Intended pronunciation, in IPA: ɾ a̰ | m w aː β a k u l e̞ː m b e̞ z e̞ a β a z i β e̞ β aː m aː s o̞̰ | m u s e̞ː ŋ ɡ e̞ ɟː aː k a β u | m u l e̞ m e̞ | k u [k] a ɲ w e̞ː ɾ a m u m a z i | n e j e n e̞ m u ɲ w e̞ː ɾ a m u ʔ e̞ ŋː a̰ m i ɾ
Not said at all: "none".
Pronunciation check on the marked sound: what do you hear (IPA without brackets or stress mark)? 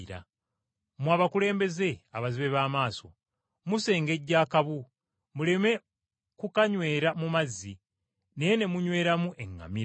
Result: k